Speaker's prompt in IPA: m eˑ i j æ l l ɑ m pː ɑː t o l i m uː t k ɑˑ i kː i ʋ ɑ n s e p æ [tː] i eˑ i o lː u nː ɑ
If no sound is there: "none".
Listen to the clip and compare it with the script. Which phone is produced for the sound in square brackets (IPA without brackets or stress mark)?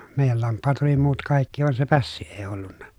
sː